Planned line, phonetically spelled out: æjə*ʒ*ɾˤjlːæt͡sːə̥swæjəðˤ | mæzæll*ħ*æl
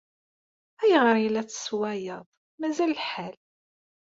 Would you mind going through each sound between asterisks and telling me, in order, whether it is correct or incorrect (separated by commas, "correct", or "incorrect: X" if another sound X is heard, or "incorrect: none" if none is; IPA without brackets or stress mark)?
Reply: incorrect: ʁ, correct